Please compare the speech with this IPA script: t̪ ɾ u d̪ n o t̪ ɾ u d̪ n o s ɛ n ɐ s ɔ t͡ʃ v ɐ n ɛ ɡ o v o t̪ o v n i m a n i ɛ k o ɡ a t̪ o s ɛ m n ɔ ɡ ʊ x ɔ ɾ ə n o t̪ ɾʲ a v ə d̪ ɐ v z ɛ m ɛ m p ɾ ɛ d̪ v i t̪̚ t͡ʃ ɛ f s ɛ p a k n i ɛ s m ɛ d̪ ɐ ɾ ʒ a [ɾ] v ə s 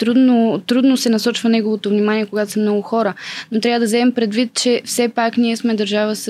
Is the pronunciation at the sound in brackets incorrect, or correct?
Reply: incorrect